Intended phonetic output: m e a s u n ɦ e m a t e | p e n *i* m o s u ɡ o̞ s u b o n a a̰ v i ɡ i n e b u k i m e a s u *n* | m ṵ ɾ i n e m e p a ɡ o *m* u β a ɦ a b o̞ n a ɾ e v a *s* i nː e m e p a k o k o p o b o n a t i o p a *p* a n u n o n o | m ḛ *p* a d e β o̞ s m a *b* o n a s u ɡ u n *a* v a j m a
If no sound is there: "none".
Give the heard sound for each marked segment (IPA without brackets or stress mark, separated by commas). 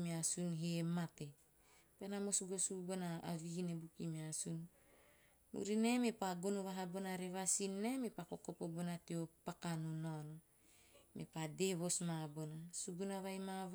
a, n, n, s, k, p, b, a